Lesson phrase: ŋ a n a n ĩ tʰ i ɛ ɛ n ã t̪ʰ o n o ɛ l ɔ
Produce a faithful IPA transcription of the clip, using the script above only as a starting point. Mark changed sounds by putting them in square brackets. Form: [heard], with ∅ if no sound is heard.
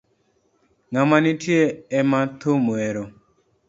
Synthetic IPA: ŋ a [m] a n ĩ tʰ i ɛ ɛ [m] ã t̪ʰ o [m] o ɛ [ɾ] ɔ